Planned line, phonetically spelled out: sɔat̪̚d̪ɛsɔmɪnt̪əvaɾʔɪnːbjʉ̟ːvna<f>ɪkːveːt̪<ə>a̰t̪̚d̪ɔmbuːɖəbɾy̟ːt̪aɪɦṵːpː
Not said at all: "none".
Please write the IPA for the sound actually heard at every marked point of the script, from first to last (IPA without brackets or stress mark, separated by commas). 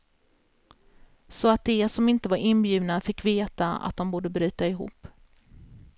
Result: f, a